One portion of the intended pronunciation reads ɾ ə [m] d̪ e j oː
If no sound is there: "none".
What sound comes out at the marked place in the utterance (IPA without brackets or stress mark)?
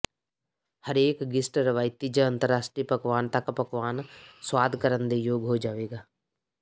n